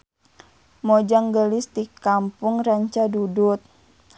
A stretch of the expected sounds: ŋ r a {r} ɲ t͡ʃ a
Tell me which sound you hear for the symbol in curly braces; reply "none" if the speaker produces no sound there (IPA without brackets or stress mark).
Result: none